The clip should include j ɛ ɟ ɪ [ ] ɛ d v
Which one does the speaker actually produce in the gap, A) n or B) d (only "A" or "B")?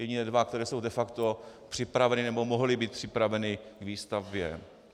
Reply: A